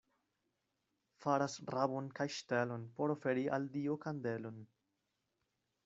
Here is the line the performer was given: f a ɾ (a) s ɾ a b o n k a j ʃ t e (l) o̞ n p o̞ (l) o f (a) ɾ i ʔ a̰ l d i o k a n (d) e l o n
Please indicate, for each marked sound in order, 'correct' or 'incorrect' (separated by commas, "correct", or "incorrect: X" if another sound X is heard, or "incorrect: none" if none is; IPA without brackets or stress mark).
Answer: correct, correct, incorrect: ɾ, incorrect: e, correct